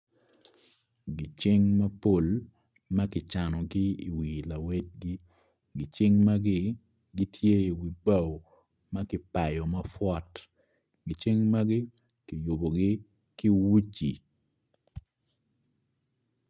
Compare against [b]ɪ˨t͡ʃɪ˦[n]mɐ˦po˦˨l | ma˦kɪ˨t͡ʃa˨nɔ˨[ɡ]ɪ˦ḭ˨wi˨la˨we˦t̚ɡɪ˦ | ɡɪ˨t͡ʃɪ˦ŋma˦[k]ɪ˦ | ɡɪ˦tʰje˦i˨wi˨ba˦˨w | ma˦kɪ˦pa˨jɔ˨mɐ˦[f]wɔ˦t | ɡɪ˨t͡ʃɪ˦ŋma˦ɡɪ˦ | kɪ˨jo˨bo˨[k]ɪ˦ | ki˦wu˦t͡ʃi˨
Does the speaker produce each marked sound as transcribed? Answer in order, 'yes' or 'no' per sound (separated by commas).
no, no, yes, no, yes, no